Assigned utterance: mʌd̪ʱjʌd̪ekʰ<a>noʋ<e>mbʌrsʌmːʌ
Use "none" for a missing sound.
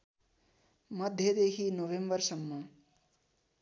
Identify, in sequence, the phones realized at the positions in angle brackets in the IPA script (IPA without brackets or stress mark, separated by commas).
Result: i, e